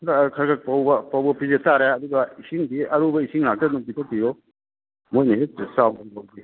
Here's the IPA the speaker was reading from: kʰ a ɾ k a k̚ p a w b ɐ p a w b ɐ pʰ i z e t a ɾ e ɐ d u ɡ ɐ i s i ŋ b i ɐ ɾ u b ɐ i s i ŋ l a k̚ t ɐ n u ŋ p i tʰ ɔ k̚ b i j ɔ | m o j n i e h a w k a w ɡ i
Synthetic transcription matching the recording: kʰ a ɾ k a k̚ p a w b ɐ p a w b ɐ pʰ i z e t a ɾ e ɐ d u ɡ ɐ i s i ŋ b i ɐ ɾ u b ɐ i s i ŋ l a k̚ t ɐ n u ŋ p i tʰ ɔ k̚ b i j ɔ | m o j n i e s a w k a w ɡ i